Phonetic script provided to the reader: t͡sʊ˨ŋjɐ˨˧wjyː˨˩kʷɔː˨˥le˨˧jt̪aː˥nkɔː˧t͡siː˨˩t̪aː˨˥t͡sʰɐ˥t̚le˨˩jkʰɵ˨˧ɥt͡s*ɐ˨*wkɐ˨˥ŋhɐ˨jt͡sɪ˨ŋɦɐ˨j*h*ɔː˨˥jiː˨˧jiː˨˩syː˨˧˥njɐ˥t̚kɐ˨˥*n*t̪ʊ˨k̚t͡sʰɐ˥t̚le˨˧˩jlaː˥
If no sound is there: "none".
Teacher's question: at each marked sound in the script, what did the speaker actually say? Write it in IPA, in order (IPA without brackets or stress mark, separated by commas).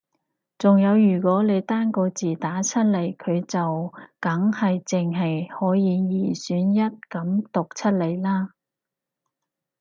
ɐ˨, h, m